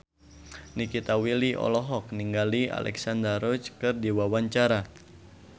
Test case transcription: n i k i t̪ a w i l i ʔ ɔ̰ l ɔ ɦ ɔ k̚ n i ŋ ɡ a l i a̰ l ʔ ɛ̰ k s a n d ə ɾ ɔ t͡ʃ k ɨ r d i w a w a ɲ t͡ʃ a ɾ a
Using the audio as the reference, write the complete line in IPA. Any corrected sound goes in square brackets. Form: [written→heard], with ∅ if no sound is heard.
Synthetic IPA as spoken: n i k i t̪ a w i l i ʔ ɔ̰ l ɔ ɦ ɔ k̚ n i ŋ ɡ a l i a̰ l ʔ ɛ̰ k s a n d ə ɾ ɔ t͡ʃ k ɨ r d i w a w a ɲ t͡ʃ a ɾ a